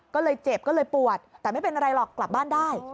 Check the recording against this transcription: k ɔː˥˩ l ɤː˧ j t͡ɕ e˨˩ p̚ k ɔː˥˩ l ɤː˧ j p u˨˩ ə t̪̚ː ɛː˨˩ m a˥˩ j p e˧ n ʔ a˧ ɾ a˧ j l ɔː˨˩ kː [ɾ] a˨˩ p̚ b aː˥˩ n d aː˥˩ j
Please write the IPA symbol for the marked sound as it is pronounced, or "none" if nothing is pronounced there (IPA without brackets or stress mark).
l